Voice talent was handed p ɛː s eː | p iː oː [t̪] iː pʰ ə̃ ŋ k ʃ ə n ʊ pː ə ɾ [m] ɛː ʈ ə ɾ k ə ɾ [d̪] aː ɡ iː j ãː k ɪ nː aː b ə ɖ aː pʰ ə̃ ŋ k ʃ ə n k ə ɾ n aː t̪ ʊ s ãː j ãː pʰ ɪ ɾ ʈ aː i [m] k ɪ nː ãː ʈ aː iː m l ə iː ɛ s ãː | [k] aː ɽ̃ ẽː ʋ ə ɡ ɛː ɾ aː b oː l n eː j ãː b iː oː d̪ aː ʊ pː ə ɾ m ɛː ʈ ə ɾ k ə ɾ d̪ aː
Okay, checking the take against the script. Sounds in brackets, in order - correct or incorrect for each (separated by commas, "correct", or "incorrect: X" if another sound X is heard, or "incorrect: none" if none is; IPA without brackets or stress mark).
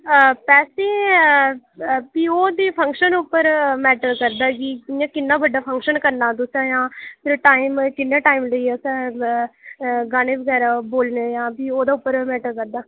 incorrect: d̪, correct, correct, correct, incorrect: ɡ